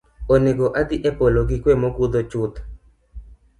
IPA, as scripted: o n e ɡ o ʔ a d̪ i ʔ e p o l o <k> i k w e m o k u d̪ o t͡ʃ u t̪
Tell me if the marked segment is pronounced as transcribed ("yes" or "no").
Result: no